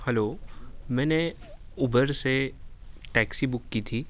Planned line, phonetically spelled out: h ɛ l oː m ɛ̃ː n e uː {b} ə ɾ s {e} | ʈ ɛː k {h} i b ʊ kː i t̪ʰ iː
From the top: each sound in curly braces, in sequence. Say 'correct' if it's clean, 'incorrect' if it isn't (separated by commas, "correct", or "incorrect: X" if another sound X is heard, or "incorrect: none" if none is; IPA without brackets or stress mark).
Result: correct, correct, incorrect: s